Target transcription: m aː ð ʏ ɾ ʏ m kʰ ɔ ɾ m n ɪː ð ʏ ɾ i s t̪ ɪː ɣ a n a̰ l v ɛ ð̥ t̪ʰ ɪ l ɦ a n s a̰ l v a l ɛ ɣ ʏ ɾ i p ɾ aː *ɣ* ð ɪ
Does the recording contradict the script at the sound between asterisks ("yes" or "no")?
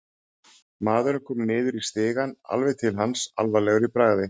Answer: no